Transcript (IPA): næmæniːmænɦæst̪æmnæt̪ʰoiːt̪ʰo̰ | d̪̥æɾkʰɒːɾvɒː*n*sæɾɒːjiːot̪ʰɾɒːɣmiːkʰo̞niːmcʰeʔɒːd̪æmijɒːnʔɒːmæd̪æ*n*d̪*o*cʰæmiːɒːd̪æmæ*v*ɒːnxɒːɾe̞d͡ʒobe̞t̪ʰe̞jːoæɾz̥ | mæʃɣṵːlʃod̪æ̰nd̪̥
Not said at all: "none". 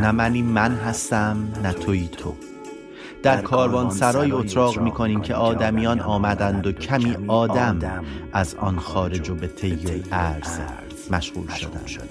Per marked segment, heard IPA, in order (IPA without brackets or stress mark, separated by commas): n, n, o, z